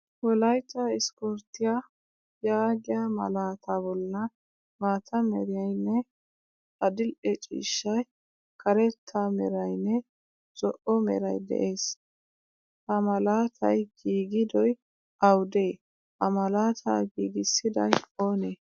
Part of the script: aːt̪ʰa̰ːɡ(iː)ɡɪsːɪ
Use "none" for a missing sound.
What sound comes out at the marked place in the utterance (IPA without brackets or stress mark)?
iː